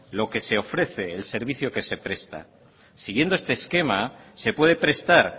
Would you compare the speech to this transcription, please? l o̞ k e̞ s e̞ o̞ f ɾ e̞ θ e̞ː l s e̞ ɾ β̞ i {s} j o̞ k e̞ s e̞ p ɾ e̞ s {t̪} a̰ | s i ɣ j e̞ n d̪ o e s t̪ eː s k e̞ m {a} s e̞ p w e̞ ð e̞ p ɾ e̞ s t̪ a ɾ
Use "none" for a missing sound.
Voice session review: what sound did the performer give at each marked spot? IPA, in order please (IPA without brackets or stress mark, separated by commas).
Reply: θ, t̪, a